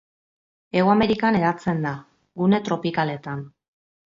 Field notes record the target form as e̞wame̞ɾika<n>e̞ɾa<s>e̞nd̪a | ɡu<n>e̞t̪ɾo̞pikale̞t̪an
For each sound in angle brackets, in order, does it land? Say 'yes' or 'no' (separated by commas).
yes, no, yes